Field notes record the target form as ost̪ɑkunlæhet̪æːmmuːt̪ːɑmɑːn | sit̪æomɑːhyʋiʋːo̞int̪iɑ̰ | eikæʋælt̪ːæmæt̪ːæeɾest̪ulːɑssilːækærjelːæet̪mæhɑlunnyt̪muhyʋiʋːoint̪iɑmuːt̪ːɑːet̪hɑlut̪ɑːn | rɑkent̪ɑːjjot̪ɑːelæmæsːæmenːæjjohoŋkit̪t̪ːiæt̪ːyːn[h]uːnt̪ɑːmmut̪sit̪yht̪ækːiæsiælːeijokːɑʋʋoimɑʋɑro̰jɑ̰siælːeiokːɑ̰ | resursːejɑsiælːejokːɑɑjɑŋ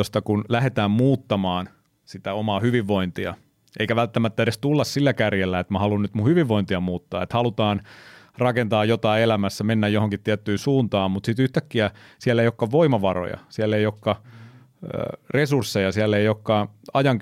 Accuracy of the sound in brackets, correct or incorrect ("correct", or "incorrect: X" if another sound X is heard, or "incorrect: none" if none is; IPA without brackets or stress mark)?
incorrect: s